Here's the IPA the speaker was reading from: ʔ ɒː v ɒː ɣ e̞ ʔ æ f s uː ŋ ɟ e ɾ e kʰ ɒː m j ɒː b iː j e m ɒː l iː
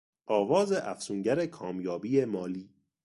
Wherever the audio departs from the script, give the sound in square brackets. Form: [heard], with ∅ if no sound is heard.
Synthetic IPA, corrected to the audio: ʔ ɒː v ɒː [z] e̞ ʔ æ f s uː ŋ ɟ [æ] ɾ e kʰ ɒː m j ɒː b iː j e m ɒː l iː

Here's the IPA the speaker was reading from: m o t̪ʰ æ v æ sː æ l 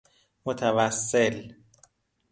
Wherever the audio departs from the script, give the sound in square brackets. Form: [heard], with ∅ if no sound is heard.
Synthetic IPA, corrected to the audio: m o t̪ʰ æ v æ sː [e] l

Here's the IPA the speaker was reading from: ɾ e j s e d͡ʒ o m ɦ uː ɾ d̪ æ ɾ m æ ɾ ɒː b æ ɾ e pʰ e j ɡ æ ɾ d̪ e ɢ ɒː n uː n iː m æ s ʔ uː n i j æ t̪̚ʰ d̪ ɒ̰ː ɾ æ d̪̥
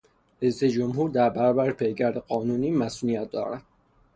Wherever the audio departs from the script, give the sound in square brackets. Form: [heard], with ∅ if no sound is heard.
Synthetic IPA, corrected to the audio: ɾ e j s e d͡ʒ o m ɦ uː ɾ d̪ æ ɾ [b] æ ɾ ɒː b æ ɾ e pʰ e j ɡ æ ɾ d̪ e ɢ ɒː n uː n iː m æ s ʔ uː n i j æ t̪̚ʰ d̪ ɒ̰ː ɾ æ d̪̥

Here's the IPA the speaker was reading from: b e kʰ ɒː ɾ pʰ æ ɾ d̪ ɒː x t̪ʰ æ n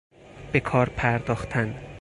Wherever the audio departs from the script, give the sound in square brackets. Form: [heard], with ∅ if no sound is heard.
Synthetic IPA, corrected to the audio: b e kʰ ɒː ɾ pʰ æ ɾ d̪ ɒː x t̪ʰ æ n

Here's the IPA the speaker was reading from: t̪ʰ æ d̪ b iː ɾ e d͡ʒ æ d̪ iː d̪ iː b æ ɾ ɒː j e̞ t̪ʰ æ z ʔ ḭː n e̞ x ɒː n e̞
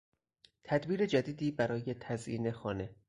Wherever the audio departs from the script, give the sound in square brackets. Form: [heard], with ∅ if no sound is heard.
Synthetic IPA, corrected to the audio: t̪ʰ æ d̪ b iː ɾ e d͡ʒ æ d̪ iː d̪ iː b æ ɾ ɒː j e̞ t̪ʰ æ z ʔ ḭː n e̞ x ɒː n e̞

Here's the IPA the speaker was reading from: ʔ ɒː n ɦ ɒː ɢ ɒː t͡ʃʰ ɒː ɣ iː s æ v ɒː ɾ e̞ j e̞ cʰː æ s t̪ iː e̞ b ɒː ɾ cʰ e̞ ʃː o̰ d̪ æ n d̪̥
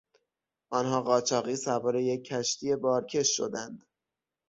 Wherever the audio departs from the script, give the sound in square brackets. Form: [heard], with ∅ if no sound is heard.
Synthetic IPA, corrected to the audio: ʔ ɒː n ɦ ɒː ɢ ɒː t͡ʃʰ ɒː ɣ iː s æ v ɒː ɾ e̞ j e̞ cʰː æ [ʃ] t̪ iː e̞ b ɒː ɾ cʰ e̞ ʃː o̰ d̪ æ n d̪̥

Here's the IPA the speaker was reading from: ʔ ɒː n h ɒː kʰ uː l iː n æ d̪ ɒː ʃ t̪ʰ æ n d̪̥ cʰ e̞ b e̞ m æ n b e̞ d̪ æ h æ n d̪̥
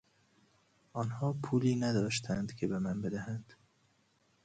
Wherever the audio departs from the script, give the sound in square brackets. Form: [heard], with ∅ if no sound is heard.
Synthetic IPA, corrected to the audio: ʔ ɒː n h ɒː [pʰ] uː l iː n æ d̪ ɒː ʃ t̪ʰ æ n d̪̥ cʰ e̞ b e̞ m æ n b e̞ d̪ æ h æ n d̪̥

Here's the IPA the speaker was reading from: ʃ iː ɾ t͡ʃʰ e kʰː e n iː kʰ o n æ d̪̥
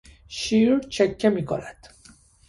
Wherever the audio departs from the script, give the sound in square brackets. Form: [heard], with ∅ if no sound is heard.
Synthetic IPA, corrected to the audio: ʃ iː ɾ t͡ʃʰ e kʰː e [m] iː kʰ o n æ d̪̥

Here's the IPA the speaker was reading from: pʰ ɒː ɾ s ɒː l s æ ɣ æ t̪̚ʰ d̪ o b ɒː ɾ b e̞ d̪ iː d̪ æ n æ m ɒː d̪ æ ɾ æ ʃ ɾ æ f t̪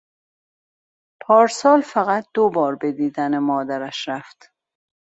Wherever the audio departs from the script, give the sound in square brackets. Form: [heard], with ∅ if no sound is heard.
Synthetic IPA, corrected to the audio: pʰ ɒː ɾ s ɒː l [f] æ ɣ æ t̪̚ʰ d̪ o b ɒː ɾ b e̞ d̪ iː d̪ æ n [e] m ɒː d̪ æ ɾ æ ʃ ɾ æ f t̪

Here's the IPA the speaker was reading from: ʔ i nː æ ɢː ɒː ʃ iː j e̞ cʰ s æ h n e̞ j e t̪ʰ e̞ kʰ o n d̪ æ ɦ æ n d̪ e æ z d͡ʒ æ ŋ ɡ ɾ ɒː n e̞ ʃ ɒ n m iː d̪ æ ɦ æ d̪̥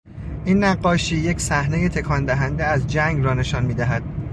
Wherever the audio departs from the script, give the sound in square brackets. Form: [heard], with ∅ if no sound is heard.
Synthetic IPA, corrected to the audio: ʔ i nː æ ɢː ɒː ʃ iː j e̞ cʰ s æ h n e̞ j e t̪ʰ e̞ kʰ [ɒ] n d̪ æ ɦ æ n d̪ e æ z d͡ʒ æ ŋ ɡ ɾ ɒː n e̞ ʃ ɒ n m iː d̪ æ ɦ æ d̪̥

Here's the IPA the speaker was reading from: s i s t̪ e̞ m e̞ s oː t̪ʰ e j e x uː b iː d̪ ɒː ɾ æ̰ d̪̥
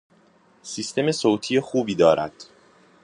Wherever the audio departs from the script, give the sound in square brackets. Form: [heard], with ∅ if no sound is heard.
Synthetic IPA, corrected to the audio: s i s t̪ e̞ m e̞ s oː t̪ʰ [i] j e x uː b iː d̪ ɒː ɾ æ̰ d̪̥

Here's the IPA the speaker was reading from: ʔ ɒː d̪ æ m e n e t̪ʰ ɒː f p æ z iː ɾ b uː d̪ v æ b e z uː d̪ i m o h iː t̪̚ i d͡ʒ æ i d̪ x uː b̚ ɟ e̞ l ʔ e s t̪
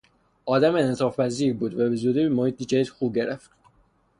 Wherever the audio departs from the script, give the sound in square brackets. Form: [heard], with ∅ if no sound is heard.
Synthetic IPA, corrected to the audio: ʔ ɒː d̪ æ m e n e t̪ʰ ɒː f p æ z iː ɾ b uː d̪ v æ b e z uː d̪ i m o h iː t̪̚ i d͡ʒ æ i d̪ x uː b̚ ɟ e̞ [ɾ] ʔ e [f] t̪

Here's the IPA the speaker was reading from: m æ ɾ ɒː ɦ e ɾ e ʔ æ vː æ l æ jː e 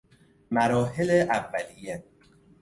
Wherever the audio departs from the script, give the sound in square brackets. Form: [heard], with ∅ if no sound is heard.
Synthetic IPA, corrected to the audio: m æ ɾ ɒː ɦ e [l] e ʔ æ vː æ l [i] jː e

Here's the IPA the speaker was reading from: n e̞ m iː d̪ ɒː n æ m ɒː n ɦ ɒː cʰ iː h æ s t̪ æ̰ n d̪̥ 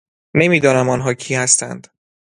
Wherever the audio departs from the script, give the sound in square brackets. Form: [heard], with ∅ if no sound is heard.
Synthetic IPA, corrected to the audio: n e̞ m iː d̪ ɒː n æ m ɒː n ɦ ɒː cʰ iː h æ s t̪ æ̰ n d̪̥

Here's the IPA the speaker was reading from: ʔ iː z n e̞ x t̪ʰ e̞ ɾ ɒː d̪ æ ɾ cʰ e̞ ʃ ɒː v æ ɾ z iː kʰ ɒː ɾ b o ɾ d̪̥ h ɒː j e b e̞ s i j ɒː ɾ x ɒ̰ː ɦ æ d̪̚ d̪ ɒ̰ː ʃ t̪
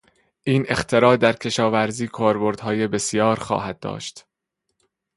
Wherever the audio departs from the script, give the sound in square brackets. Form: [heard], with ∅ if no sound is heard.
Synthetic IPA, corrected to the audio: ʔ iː [∅] n e̞ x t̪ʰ e̞ ɾ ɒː d̪ æ ɾ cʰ e̞ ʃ ɒː v æ ɾ z iː kʰ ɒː ɾ b o ɾ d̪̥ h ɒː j e b e̞ s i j ɒː ɾ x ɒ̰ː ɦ æ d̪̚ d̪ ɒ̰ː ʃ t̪

